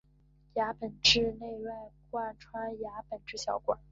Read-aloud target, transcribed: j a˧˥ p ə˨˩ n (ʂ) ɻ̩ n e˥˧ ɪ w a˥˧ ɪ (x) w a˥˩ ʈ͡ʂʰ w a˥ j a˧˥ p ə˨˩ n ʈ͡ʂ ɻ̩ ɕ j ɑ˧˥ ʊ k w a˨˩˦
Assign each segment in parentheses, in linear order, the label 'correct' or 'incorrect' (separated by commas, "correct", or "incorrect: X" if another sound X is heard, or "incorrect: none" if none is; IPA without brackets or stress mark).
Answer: incorrect: ʈ͡ʂ, incorrect: k